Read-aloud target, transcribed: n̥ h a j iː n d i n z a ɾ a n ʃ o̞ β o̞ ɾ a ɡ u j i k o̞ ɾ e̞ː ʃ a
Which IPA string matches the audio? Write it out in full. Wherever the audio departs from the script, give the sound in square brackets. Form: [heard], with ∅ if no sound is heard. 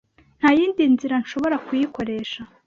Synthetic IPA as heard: n̥ h a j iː n d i n z [i] ɾ a n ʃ o̞ β o̞ ɾ a [k] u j i k o̞ ɾ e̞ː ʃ a